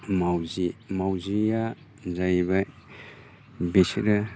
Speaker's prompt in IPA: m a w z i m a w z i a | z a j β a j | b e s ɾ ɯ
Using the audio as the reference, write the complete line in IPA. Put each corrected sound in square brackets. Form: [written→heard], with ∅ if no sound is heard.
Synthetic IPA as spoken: m a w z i m a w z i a | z a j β a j | b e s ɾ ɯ